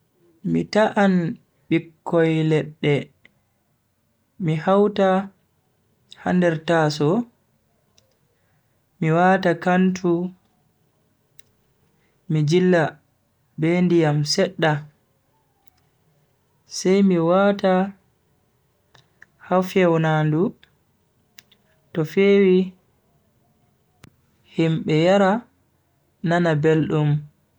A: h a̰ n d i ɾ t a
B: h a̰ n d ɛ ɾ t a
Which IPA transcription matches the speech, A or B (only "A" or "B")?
B